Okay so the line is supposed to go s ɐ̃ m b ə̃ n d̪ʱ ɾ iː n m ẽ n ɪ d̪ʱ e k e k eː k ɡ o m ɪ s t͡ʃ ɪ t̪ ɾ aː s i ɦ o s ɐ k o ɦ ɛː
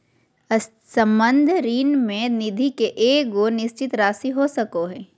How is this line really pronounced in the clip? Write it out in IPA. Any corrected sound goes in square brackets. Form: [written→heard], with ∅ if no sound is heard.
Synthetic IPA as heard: s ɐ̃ m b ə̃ n d̪ʱ ɾ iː n m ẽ n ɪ d̪ʱ [e→i] k e [k→ʔ] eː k ɡ o [m→n] ɪ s t͡ʃ ɪ t̪ ɾ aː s i ɦ o s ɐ k o ɦ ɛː